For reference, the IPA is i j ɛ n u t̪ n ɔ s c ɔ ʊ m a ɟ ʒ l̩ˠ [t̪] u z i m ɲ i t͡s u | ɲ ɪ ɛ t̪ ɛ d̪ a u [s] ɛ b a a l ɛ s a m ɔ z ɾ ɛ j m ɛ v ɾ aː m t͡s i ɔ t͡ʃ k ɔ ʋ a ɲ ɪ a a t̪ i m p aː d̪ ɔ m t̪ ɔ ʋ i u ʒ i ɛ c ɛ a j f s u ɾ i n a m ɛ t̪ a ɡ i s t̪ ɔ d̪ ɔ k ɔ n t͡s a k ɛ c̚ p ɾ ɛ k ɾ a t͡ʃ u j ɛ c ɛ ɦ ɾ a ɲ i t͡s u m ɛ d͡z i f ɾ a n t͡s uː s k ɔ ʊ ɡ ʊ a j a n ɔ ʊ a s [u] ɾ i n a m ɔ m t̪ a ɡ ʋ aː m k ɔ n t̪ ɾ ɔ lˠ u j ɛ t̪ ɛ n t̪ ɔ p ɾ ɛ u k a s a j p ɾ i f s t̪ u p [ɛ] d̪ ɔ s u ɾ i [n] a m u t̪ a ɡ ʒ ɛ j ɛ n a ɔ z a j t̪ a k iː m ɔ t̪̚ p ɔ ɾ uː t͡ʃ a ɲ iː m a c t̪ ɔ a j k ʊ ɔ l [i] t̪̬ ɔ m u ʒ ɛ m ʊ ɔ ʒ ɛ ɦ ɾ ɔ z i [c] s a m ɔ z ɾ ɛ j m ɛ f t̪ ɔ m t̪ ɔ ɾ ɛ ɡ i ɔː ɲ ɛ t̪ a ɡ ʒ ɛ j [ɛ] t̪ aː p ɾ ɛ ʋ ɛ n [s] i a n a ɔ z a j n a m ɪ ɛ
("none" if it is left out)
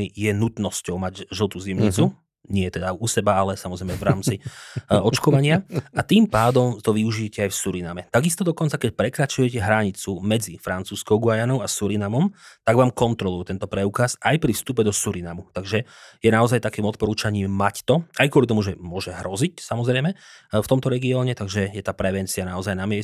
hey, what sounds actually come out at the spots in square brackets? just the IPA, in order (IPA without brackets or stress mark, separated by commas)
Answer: t̪, s, u, ɛ, n, i, c, ɛ, t͡s